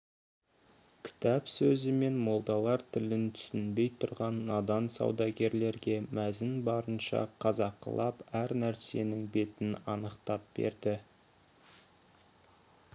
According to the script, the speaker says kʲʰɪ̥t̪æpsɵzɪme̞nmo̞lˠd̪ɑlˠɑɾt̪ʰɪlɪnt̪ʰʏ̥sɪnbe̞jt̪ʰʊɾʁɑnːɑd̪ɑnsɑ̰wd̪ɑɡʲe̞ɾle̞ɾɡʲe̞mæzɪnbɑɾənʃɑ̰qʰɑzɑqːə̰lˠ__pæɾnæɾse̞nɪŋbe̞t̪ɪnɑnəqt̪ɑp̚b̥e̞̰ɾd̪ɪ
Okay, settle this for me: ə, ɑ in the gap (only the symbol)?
ɑ